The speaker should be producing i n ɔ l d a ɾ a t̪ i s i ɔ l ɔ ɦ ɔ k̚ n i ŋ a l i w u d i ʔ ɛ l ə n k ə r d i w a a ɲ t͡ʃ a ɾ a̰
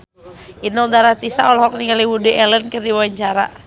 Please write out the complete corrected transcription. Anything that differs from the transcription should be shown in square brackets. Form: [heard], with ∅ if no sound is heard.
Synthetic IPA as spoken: i n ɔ l d a ɾ a t̪ i s [a] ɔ l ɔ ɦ ɔ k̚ n i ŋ a l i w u d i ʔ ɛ l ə n k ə r d i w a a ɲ t͡ʃ a ɾ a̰